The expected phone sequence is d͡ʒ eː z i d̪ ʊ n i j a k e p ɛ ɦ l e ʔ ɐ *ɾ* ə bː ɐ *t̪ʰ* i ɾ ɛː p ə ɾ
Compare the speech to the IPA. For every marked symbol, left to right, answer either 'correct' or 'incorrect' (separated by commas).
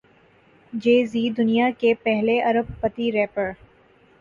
correct, incorrect